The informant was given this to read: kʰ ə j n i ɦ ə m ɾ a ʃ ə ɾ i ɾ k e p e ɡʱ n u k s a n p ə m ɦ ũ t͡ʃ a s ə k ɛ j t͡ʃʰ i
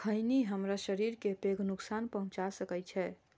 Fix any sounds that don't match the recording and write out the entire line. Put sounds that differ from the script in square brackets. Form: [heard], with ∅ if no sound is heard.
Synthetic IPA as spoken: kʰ ə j n i ɦ ə m ɾ a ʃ ə ɾ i ɾ k e p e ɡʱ n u k s a n p ə [∅] ɦ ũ t͡ʃ a s ə k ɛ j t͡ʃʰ [ɛ]